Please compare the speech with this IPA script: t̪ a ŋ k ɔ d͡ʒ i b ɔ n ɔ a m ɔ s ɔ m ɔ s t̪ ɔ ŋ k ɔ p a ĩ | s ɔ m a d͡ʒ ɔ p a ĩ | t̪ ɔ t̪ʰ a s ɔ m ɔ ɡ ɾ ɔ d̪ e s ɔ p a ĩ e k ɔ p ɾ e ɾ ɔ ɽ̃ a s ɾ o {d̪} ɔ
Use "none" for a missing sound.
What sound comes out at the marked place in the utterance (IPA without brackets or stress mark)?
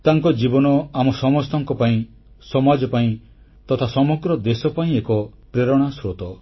t̪